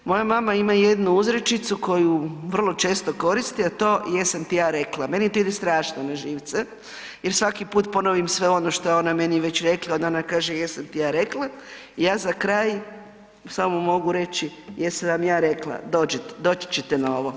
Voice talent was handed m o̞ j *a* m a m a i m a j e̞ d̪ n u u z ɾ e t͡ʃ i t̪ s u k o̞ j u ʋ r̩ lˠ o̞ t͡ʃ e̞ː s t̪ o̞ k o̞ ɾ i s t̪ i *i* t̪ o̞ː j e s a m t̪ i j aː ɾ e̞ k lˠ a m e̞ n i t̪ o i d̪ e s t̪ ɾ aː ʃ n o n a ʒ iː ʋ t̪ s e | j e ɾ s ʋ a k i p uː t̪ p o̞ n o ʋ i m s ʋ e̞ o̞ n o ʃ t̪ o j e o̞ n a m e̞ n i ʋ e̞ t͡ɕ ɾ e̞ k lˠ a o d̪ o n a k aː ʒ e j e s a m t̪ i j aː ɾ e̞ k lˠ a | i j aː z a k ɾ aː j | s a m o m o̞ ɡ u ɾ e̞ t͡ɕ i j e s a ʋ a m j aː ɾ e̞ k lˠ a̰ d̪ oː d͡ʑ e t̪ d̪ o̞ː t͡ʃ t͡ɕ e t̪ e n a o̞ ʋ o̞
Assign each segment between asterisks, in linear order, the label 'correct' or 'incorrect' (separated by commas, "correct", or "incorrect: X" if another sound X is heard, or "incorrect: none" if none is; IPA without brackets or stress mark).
correct, incorrect: a